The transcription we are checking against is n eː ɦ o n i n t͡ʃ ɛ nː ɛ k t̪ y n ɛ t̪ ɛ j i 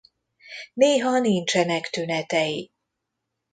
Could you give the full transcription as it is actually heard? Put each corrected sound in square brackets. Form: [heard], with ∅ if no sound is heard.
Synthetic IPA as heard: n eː ɦ [ɒ] n i n t͡ʃ ɛ [n] ɛ k t̪ y n ɛ t̪ ɛ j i